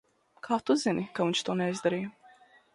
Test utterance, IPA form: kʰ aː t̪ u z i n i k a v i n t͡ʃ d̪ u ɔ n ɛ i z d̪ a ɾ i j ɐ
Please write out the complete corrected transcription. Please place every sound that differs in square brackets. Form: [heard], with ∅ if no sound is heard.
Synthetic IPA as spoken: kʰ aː t̪ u z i n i k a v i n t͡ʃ [t̪] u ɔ n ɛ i z d̪ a ɾ i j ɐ